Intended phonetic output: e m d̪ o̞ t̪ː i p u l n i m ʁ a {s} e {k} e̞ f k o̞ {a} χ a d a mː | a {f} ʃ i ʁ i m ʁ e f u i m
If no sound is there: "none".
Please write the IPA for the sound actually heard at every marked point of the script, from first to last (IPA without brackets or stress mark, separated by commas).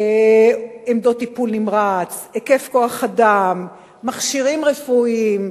t͡s, k, a, χ